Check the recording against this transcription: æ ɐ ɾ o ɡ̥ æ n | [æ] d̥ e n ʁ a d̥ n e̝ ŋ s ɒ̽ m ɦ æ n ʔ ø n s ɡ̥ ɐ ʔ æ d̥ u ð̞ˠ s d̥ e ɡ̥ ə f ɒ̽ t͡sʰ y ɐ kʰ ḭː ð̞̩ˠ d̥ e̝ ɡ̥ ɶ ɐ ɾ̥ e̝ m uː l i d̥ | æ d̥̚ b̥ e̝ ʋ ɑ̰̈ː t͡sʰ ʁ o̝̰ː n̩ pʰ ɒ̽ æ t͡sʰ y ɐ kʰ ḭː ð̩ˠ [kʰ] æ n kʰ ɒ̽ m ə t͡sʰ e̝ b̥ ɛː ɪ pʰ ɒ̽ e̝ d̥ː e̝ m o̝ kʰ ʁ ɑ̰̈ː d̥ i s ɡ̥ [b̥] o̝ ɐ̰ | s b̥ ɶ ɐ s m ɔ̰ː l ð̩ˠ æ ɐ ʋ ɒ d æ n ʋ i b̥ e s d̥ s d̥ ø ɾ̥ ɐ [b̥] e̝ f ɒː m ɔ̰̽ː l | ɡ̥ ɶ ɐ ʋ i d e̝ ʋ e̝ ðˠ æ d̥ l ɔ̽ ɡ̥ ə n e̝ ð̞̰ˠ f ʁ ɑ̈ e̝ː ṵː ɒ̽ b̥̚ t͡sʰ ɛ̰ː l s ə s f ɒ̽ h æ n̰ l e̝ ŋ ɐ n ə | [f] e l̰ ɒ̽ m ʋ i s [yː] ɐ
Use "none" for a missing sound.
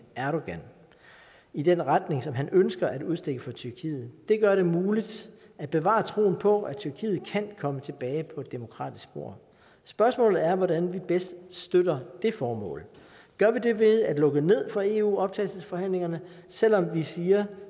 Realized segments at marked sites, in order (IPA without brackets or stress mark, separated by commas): i, kʰ, b̥, d̥, s, iː